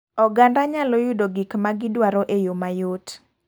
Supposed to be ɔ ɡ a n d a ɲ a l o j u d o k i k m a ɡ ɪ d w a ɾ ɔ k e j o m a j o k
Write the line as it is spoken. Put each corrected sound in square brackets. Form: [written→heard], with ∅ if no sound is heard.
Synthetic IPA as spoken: ɔ ɡ a n d a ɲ a l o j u d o [k→ɡ] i k m a ɡ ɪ d w a ɾ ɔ [k→ʔ] e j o m a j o [k→t]